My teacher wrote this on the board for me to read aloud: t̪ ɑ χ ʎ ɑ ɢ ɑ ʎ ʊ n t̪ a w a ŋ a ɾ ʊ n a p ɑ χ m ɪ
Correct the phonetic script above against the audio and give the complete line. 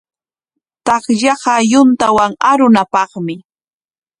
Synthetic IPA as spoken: t̪ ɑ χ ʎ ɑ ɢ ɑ j ʊ n t̪ a w a ŋ a ɾ ʊ n a p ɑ χ m ɪ